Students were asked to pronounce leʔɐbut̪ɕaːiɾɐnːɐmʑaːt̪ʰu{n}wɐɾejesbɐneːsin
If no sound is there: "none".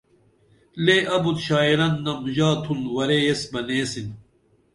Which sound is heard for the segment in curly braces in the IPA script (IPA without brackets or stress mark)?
n